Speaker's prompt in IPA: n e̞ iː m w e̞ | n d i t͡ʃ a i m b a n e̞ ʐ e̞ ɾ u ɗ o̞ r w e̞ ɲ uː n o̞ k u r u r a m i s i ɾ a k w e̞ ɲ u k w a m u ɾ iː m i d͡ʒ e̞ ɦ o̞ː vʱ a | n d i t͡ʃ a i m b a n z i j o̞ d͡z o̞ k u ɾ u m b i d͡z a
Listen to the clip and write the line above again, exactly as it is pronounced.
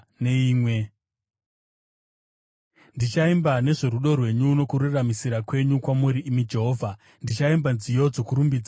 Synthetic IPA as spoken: n e̞ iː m w e̞ | n d i t͡ʃ a i m b a n e̞ ʐ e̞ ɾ u ɗ o̞ r w e̞ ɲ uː n o̞ k u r u r a m i s i ɾ a k w e̞ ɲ u k w a m u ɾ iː m i d͡ʒ e̞ ɦ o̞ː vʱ a | n d i t͡ʃ a i m b a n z i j o̞ d͡z o̞ k u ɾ u m b i d͡z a